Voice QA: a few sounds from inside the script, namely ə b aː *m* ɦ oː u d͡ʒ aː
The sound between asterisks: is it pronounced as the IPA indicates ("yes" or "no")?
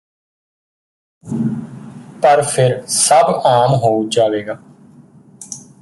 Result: yes